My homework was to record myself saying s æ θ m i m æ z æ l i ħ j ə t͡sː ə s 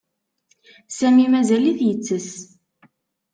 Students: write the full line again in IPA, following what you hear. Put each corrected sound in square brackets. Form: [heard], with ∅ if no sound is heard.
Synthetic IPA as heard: s æ [∅] m i m æ z æ l i [θ] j ə t͡sː ə s